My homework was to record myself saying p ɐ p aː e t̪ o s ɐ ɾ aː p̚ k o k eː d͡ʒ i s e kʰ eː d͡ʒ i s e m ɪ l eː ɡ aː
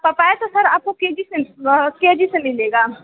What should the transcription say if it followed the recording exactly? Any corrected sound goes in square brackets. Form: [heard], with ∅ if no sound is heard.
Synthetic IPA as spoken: p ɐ p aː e t̪ o s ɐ ɾ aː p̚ k o k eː d͡ʒ i s e [k] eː d͡ʒ i s e m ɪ l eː ɡ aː